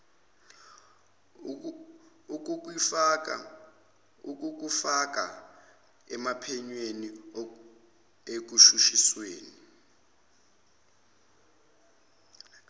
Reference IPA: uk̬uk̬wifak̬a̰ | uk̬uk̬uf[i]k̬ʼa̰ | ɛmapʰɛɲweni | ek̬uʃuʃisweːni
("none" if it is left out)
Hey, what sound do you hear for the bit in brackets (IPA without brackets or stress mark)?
a